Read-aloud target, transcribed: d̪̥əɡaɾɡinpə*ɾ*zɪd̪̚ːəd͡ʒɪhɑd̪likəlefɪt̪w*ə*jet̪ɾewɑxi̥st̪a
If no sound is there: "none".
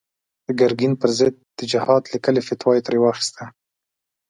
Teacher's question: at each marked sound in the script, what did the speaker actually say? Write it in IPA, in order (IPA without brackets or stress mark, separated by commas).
ɾ, ɑ